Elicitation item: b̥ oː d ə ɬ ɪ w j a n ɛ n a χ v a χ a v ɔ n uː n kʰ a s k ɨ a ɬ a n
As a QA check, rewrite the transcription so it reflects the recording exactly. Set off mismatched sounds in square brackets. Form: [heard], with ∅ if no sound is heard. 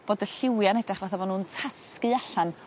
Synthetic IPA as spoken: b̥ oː d ə ɬ ɪ w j a n ɛ [d] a χ v a [θ] a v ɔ n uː n [tʰ] a s k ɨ a ɬ a n